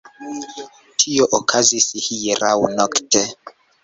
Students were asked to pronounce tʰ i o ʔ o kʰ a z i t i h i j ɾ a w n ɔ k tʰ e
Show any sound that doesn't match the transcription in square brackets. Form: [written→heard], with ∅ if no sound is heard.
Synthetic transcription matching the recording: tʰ i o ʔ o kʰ a z i [t→s] i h i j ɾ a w n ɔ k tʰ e